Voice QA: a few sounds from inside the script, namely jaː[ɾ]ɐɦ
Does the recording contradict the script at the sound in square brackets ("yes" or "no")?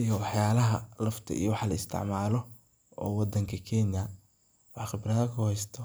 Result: yes